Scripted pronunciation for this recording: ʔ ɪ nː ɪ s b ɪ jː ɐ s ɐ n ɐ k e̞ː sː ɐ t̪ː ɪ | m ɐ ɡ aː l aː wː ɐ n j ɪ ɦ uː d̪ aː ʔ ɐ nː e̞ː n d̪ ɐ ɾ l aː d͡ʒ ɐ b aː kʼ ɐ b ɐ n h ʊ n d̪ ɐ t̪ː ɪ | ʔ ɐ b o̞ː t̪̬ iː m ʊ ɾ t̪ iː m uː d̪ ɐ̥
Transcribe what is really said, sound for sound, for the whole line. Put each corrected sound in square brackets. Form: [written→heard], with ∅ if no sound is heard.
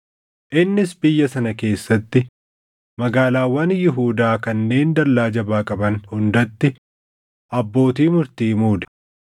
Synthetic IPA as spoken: ʔ ɪ nː ɪ s b ɪ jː ɐ s ɐ n ɐ k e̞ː sː ɐ t̪ː ɪ | m ɐ ɡ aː l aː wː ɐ n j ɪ ɦ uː d̪ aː [ʔ→k] ɐ nː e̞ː n d̪ ɐ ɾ l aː d͡ʒ ɐ b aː kʼ ɐ b ɐ n h ʊ n d̪ ɐ t̪ː ɪ | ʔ ɐ [b→bː] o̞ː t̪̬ iː m ʊ ɾ t̪ iː m uː d̪ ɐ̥